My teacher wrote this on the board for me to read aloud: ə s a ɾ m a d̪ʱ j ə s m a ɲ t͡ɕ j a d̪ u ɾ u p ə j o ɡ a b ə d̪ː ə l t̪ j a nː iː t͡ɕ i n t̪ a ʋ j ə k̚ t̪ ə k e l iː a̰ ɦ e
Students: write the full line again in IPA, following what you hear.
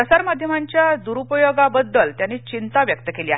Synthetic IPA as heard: ə s a ɾ m a d̪ʱ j ə m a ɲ t͡ɕ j a d̪ u ɾ u p ə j o ɡ a b ə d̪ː ə l t̪ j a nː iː t͡ɕ i n t̪ a ʋ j ə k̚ t̪ ə k e l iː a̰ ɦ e